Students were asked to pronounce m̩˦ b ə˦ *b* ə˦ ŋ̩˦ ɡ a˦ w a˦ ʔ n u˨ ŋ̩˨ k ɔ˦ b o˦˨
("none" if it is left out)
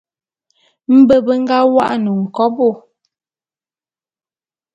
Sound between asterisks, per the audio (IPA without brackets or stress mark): b